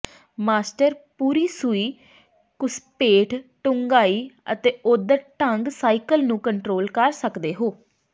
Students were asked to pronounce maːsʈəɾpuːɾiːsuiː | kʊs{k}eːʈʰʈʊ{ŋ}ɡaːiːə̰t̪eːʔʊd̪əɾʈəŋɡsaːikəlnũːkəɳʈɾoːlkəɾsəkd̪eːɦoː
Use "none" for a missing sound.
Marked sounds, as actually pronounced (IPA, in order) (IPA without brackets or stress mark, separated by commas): p, ŋ